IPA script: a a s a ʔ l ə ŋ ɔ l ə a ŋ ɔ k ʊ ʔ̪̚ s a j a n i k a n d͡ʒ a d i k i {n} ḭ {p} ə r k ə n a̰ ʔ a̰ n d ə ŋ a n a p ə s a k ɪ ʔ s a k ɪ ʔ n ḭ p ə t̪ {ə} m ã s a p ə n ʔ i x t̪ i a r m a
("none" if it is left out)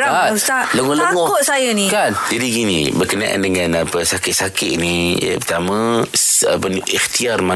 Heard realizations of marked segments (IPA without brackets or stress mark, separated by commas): n, b, a